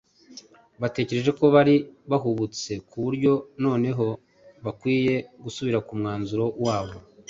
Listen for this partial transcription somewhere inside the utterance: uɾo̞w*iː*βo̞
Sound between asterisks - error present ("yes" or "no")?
yes